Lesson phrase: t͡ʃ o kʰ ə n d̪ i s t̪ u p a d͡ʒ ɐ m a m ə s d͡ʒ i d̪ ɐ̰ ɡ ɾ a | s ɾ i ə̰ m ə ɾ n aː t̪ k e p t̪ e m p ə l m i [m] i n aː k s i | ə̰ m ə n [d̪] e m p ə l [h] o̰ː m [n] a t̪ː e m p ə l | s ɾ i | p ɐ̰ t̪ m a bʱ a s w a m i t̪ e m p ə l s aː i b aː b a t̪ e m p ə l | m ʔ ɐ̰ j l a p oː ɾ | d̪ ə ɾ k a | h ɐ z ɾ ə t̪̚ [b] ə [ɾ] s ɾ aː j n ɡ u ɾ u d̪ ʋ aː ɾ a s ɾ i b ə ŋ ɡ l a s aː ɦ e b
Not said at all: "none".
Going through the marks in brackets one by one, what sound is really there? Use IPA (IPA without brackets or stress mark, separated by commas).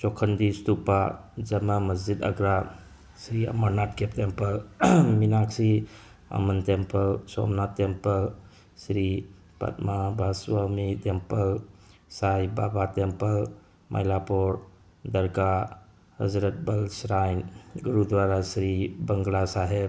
m, t̪, s, n, b, l